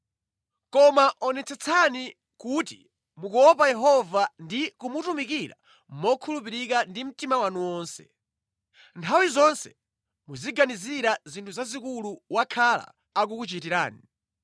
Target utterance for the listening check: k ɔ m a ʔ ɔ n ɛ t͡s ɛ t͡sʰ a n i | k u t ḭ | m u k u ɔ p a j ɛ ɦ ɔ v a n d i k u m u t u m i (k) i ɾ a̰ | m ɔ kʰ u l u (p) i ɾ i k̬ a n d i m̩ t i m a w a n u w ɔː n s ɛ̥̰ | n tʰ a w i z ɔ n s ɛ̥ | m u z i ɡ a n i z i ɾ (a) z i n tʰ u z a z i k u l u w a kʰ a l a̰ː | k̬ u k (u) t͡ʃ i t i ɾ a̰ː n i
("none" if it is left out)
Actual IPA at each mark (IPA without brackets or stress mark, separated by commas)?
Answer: k, p, a, u